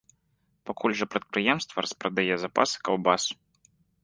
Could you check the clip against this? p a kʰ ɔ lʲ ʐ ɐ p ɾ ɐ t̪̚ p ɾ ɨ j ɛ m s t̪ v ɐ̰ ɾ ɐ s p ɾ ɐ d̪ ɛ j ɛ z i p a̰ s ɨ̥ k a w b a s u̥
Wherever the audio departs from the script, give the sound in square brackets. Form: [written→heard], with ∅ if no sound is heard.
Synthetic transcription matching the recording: p a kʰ [ɔ→u] lʲ ʐ ɐ p ɾ ɐ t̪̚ p ɾ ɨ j ɛ m s t̪ v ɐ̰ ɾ ɐ s p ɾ ɐ d̪ [ɛ→a] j ɛ z [i→a] p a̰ s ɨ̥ k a w b a s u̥